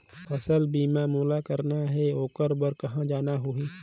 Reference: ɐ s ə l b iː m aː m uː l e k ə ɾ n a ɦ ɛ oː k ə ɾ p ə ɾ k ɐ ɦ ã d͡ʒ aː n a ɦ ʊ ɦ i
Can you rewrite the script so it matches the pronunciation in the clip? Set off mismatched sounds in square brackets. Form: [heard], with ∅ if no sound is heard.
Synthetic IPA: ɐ s ə l b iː m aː m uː l [a] k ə ɾ n a ɦ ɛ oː k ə ɾ [b] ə ɾ k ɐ ɦ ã d͡ʒ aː n a ɦ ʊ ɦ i